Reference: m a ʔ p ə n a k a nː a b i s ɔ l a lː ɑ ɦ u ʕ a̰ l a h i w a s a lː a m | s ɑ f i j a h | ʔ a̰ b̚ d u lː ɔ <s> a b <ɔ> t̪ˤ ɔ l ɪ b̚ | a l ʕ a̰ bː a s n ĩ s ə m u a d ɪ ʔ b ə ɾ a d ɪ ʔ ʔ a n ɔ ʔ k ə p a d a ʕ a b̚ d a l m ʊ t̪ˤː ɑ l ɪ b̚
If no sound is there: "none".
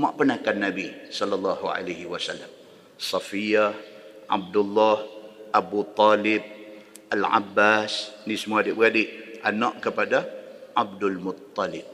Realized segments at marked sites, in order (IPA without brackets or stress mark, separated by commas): h, u